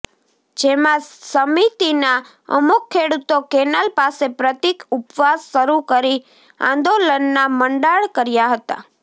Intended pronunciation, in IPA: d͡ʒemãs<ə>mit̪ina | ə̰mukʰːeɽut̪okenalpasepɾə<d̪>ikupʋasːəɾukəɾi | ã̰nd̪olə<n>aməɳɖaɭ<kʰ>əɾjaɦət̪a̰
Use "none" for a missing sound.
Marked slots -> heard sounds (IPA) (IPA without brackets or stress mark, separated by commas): ə, t̪, nː, k